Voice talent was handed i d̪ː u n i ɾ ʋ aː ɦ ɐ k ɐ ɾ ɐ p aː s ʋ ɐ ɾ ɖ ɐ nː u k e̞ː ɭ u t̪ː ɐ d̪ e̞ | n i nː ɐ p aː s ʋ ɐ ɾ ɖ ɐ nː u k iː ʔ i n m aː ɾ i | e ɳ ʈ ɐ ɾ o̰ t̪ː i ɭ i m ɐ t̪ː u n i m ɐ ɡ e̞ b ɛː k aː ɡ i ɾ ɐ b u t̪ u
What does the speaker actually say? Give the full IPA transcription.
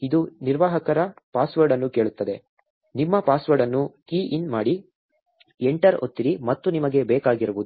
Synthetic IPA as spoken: i d̪ u n i ɾ ʋ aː ɦ ɐ k ɐ ɾ ɐ p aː s ʋ ɐ ɾ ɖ ɐ nː u k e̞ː ɭ u t̪ː ɐ d̪ e̞ | n i mː ɐ p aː s ʋ ɐ ɾ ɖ ɐ nː u k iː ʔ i n m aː ɽ i | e ɳ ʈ ɐ ɾ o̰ t̪ː i ɾ i m ɐ t̪ː u n i m ɐ ɡ e̞ b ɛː k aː ɡ i ɾ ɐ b u d̪ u